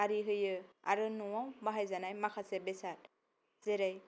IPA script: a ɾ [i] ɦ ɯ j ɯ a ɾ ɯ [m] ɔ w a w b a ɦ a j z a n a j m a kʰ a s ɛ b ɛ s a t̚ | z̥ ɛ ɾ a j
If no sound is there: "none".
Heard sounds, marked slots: i, n

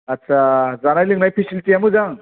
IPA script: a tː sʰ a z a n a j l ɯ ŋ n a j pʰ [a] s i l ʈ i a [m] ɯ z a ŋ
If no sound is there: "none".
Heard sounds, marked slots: i, m

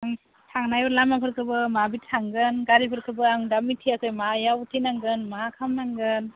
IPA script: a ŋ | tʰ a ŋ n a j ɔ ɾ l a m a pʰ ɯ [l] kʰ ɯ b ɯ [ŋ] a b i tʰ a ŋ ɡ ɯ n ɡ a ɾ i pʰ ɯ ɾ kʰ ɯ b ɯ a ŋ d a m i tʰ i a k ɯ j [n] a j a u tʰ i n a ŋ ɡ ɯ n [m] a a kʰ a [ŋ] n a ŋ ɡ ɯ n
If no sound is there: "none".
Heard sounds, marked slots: ɾ, m, m, m, m

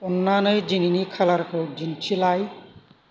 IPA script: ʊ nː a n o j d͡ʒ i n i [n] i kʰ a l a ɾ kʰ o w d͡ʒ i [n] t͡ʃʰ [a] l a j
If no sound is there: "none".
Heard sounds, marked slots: n, n, i

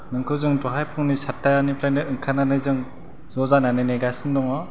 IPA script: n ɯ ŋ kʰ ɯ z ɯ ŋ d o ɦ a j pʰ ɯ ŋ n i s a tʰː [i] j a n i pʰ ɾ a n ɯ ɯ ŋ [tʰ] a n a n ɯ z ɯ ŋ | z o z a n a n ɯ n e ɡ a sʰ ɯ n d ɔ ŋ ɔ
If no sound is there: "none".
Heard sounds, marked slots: a, kʰ

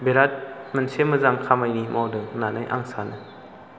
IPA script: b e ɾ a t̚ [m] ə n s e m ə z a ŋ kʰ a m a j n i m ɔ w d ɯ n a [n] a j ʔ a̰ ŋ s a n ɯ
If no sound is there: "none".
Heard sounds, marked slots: m, n

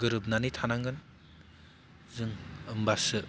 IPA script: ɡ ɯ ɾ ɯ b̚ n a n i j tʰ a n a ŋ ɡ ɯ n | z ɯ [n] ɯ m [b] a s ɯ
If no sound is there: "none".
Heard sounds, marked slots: ŋ, b

